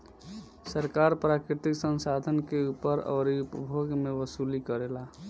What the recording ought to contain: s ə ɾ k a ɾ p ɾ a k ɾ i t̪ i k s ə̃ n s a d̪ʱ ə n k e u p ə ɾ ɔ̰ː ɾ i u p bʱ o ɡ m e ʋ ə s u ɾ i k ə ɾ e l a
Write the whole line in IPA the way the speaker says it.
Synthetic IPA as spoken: s ə ɾ k a ɾ p ɾ a k ɾ i t̪ i k s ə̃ n s a d̪ʱ ə n k e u p ə ɾ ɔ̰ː ɾ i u p bʱ o ɡ m e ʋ ə s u l i k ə ɾ e l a